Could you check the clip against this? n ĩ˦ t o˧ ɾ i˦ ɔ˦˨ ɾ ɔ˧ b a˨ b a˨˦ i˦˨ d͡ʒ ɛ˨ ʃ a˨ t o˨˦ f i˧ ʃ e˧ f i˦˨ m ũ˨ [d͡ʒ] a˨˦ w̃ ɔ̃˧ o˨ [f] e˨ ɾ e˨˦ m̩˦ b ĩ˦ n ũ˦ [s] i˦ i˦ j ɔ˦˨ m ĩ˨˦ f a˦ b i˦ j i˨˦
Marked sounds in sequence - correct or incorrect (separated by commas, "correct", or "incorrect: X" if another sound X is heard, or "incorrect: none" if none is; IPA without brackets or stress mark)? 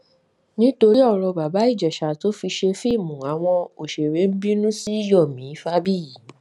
incorrect: none, incorrect: ʃ, correct